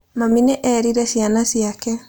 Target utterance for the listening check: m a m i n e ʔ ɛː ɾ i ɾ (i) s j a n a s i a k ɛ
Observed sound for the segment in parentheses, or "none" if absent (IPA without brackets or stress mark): ɛ